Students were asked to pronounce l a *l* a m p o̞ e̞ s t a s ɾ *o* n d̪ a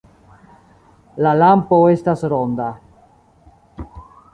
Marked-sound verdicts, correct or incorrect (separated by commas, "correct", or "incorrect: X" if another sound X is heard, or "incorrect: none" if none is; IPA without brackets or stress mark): correct, correct